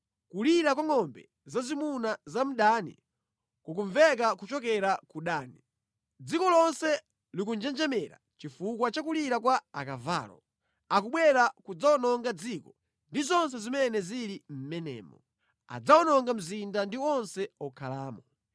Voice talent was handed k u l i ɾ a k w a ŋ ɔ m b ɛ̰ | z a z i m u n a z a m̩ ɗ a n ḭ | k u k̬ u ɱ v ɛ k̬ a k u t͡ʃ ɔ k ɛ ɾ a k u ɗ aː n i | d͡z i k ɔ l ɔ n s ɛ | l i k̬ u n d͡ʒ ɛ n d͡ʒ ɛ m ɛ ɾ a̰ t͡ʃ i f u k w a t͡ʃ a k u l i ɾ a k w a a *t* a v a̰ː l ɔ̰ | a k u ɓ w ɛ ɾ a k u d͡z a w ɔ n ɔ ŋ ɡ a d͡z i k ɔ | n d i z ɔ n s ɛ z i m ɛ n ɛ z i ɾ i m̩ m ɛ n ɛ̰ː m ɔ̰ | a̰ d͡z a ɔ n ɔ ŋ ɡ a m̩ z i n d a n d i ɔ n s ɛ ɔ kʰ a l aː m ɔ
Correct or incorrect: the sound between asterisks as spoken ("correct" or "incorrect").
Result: incorrect